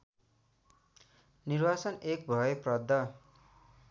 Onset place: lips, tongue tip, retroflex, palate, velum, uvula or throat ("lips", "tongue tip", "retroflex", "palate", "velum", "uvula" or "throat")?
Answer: tongue tip